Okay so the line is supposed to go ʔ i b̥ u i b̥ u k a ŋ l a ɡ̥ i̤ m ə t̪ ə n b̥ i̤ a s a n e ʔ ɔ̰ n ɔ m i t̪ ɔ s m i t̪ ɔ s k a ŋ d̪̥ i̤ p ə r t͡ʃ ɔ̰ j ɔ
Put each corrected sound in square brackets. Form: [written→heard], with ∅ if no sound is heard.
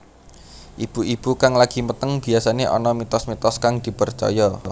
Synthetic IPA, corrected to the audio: ʔ i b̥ u i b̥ u k a ŋ l a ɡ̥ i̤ m ə t̪ ə [n→ŋ] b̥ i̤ a s a n e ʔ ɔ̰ n ɔ m i t̪ ɔ s m i t̪ ɔ s k a ŋ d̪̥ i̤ p ə r t͡ʃ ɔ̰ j ɔ